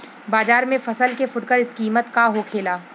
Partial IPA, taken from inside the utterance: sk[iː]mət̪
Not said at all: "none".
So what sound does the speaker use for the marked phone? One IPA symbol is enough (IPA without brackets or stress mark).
iː